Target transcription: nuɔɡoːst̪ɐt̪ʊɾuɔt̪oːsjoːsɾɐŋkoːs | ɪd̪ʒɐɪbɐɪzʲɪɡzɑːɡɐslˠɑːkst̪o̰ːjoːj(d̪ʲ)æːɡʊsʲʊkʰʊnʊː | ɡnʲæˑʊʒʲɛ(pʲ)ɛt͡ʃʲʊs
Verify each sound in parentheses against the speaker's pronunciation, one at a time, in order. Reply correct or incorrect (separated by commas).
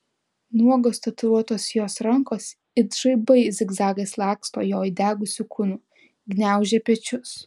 correct, correct